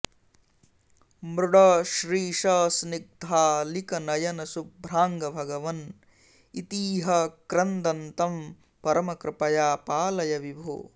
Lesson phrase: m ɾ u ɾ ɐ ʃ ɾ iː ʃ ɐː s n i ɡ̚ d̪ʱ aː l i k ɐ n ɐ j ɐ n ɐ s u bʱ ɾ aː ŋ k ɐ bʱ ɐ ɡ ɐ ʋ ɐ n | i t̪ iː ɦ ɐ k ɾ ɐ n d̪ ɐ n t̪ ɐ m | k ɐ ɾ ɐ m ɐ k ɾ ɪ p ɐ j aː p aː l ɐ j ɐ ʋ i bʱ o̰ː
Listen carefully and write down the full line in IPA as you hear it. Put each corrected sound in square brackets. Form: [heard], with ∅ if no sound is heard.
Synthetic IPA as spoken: m ɾ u [ɽ] ɐ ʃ ɾ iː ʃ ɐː s n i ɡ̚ d̪ʱ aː l i k ɐ n ɐ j ɐ n ɐ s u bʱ ɾ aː ŋ [ɡ] ɐ bʱ ɐ ɡ ɐ ʋ ɐ n | i t̪ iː ɦ ɐ k ɾ ɐ n d̪ ɐ n t̪ ɐ m | [p] ɐ ɾ ɐ m ɐ k ɾ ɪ p ɐ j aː p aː l ɐ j ɐ ʋ i bʱ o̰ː